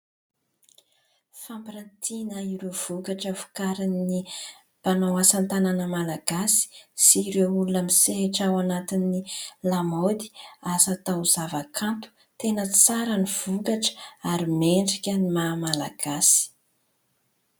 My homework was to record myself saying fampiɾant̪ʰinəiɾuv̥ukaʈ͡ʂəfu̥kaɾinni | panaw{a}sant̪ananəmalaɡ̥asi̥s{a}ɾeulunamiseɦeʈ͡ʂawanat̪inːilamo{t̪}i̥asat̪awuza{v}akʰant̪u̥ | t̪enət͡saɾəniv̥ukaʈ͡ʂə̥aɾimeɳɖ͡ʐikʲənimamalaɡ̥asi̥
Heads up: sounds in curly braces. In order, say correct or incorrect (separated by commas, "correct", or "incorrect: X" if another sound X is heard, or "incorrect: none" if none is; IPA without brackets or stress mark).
correct, incorrect: i, incorrect: d̪, correct